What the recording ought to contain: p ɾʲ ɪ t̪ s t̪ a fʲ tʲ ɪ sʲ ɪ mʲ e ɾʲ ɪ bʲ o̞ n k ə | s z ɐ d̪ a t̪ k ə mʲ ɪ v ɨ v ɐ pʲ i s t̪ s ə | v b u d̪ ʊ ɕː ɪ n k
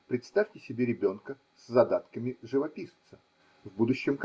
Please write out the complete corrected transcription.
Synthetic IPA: p ɾʲ ɪ t̪ s t̪ a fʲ tʲ ɪ sʲ ɪ bʲ e ɾʲ ɪ bʲ o̞ n k ə | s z ɐ d̪ a t̪ k ə mʲ ɪ ʐ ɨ v ɐ pʲ i s t̪ s ə | v b u d̪ ʊ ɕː ɪ m k